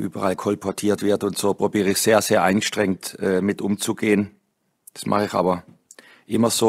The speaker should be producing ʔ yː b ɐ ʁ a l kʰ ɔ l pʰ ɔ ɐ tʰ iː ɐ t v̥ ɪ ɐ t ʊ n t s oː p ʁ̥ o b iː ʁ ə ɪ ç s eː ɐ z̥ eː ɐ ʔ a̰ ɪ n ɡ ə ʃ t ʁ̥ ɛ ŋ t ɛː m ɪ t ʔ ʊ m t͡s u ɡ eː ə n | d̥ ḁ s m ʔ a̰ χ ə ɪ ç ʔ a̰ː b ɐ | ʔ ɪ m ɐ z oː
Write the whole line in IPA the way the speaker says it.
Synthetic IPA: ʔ yː b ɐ ʁ a l kʰ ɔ l pʰ ɔ ɐ tʰ iː ɐ t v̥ ɪ ɐ t ʊ n t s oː p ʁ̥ o b iː ʁ ə ɪ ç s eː ɐ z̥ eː ɐ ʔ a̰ ɪ n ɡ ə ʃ t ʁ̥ ɛ ŋ t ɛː m ɪ t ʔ ʊ m t͡s u ɡ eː ə n | d̥ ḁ s m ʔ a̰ χ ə ɪ ç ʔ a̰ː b ɐ | ʔ ɪ m ɐ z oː